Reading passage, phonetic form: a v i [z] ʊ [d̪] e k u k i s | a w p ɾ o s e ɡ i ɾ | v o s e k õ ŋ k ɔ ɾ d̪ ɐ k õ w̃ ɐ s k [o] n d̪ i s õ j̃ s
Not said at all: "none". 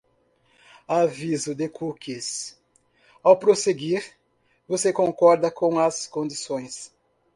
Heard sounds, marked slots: z, d̪, õ

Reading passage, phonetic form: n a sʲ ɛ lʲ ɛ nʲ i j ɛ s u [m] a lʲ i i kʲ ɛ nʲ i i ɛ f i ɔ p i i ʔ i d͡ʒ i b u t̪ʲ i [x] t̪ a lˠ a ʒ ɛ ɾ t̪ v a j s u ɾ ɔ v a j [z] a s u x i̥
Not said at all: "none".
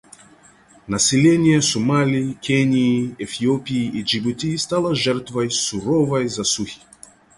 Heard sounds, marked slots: m, s, z

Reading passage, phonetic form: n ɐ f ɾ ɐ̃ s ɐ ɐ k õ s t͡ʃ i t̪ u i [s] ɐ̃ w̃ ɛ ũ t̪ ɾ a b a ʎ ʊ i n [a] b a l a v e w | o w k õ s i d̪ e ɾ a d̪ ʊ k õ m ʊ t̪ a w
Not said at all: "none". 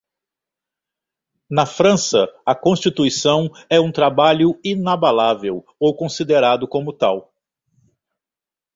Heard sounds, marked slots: s, a

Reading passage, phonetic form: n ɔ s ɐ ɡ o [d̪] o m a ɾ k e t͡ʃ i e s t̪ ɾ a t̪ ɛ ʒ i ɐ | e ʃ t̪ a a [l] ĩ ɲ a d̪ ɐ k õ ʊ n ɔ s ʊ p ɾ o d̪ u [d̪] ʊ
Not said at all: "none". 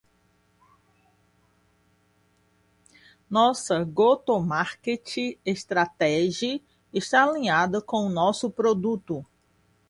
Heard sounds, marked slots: t̪, l, t̪

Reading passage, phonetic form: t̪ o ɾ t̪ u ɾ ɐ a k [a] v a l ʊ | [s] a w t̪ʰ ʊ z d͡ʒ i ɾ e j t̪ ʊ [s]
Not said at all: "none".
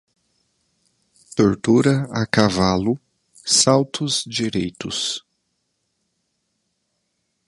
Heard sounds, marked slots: a, s, s

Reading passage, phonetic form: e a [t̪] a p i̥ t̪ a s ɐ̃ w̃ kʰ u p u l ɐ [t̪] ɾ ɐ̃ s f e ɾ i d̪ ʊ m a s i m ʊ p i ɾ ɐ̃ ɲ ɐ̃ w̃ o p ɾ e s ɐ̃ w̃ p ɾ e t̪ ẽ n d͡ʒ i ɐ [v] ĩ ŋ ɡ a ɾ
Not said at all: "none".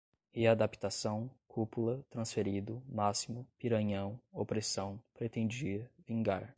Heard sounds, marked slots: d̪, t̪, v

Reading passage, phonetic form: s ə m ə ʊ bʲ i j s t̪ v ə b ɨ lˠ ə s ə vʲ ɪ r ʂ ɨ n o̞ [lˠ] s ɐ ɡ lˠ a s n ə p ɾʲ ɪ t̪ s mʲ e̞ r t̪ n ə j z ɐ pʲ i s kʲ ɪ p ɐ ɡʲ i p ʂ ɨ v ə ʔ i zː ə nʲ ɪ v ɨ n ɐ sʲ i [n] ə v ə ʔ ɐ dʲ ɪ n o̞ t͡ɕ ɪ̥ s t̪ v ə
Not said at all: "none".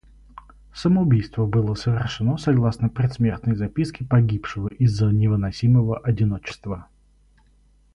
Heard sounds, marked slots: none, m

